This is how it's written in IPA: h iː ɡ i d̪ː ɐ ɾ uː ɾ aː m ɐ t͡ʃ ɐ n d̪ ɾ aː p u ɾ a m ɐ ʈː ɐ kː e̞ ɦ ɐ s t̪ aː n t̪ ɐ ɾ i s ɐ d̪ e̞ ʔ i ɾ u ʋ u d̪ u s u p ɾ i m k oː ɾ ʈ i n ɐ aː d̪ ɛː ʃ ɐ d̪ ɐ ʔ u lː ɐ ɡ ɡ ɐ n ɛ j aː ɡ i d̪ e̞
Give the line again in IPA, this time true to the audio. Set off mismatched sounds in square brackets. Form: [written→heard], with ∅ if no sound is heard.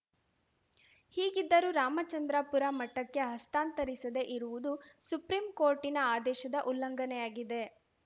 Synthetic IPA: h iː ɡ i d̪ː ɐ ɾ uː ɾ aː m ɐ t͡ʃ ɐ n d̪ ɾ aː p u ɾ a m ɐ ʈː ɐ kː e̞ ɦ ɐ s t̪ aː n t̪ ɐ ɾ i s ɐ d̪ e̞ ʔ i ɾ u ʋ u d̪ u s u p ɾ i m k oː ɾ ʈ i n ɐ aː d̪ ɛː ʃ ɐ d̪ ɐ ʔ u lː ɐ [ɡ→ŋ] ɡ ɐ n ɛ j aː ɡ i d̪ e̞